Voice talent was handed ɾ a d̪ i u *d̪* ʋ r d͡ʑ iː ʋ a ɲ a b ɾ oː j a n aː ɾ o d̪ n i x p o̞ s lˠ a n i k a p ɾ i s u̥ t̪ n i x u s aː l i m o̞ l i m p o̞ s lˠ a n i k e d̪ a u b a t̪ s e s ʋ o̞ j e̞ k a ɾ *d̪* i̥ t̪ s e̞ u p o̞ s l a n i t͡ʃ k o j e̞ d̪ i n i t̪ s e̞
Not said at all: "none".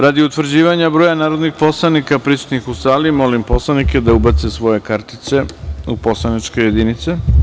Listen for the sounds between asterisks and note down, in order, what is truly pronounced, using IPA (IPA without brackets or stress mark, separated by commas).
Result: t̪, t̪